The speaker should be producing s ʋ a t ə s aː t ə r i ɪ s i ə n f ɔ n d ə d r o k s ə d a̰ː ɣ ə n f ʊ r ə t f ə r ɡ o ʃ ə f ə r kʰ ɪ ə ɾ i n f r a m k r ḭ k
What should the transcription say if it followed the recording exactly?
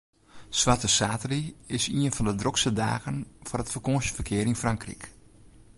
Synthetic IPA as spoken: s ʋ a t ə s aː t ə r i ɪ s i ə n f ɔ n d ə d r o k s ə d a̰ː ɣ ə n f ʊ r ə t f ə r k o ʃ ə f ə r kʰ ɪ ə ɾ i n f r a ŋ k r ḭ k